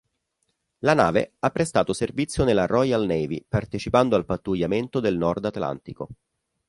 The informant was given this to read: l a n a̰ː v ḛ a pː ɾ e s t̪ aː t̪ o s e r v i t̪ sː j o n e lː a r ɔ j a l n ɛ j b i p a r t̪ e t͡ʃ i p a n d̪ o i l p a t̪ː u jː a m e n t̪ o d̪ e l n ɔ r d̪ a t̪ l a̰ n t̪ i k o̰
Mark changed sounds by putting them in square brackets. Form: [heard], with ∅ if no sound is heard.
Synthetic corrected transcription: l a n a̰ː v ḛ a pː ɾ e s t̪ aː t̪ o s e r v i t̪ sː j o n e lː a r ɔ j a l n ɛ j [v] i p a r t̪ e t͡ʃ i p a n d̪ o [a] l p a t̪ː u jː a m e n t̪ o d̪ e l n ɔ r d̪ a t̪ l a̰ n t̪ i k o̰